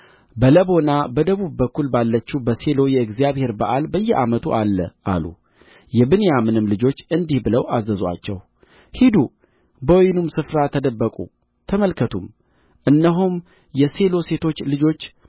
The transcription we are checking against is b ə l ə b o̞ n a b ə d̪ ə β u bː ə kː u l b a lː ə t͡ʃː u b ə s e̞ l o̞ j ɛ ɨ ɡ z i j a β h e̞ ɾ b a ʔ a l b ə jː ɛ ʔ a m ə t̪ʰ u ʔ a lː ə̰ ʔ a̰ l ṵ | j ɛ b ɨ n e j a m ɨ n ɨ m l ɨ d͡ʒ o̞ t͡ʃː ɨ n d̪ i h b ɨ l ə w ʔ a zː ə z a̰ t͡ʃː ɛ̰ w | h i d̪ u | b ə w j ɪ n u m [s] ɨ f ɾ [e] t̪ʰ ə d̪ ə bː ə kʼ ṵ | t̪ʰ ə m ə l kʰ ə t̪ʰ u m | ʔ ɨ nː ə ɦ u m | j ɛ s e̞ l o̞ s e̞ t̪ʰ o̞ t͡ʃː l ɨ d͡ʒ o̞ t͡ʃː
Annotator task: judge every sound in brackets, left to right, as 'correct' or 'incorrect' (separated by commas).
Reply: correct, incorrect